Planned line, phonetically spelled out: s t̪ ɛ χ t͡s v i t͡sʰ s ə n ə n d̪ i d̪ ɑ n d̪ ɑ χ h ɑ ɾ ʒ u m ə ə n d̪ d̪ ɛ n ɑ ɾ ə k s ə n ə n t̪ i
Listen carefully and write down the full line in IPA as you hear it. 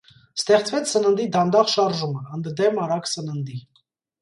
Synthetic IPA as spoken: s t̪ ɛ χ t͡s v ɛ t͡sʰ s ə n ə n d̪ i d̪ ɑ n d̪ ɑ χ ʃ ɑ ɾ ʒ u m ə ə n d̪ d̪ ɛ m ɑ ɾ ɑ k s ə n ə n d̪ i